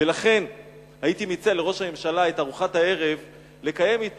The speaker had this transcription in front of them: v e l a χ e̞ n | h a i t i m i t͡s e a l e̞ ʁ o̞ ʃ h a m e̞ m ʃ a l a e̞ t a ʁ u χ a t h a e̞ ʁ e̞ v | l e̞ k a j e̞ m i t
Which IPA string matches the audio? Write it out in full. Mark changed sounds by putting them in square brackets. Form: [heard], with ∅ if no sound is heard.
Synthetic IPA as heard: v e l a χ e̞ n | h a i t i m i t͡s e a l e̞ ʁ o̞ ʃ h a m e̞ m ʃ a l a e̞ t a ʁ u χ a t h a e̞ ʁ e̞ v | l e̞ k a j e̞ m i t